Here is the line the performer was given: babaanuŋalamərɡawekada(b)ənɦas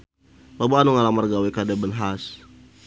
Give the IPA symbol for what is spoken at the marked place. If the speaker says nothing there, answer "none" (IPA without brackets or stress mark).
b